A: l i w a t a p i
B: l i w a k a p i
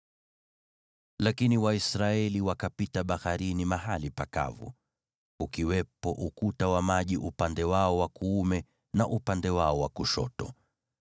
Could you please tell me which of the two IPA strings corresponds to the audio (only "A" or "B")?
B